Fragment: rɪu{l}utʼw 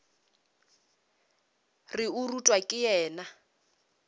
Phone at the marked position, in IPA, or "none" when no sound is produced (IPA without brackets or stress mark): r